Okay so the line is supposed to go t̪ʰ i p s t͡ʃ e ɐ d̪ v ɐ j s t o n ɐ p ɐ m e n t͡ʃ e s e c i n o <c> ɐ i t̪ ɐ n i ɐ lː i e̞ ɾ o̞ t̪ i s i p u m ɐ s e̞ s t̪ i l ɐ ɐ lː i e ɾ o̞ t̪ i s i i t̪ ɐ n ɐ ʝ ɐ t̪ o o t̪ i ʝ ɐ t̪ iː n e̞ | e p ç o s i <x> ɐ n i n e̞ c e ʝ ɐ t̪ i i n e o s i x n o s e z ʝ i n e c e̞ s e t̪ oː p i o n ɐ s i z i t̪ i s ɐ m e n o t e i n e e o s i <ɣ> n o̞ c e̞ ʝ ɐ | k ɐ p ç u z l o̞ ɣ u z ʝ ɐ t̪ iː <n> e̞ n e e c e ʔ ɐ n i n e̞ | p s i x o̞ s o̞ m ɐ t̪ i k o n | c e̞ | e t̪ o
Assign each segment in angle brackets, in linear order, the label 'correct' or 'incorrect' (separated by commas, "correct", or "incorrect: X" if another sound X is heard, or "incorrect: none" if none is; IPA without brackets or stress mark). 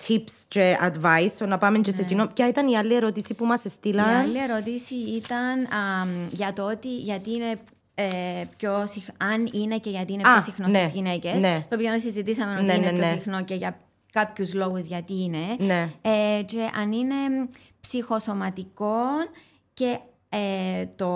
correct, correct, incorrect: x, correct